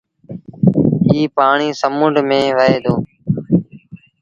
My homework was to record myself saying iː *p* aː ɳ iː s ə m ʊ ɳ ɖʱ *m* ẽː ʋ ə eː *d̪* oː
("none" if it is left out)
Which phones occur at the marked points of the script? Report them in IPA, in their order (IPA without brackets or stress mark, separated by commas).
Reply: p, m, d̪